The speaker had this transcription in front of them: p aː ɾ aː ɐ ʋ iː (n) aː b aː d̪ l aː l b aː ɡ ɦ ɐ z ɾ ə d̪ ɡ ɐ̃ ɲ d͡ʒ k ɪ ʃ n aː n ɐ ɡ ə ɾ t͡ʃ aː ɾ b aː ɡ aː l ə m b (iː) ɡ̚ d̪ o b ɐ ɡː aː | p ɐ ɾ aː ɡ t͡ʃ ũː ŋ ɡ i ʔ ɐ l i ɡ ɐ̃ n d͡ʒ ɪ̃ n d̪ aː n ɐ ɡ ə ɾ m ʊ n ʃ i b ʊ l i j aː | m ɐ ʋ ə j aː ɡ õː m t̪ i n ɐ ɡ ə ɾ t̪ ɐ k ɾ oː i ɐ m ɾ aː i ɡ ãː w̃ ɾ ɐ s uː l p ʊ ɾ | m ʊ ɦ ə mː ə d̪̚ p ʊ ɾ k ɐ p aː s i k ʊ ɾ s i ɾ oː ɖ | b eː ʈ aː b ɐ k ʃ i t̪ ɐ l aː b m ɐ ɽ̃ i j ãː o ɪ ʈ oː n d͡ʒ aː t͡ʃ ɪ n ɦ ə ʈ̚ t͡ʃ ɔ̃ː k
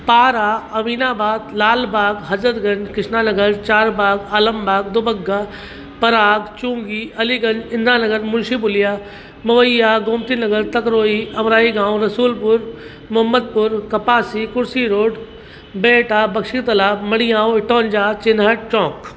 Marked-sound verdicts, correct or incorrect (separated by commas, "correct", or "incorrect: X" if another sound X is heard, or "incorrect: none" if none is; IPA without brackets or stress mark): correct, incorrect: aː